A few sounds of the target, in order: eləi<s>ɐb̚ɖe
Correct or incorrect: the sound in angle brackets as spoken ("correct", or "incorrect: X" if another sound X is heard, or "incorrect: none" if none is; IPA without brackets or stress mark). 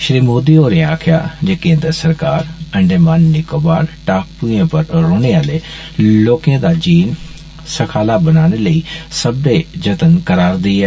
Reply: correct